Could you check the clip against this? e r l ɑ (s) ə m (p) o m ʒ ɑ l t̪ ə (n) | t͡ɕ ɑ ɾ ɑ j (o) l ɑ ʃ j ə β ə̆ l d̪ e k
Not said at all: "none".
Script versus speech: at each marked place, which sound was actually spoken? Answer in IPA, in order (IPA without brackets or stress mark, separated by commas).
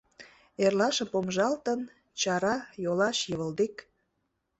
ʃ, p, n, o